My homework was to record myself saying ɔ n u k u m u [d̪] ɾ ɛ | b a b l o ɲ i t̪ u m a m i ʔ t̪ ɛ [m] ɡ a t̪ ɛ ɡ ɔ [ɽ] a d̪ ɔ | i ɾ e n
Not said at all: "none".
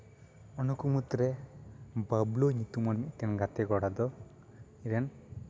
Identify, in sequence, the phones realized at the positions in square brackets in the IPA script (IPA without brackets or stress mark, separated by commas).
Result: t̪, n, ɽ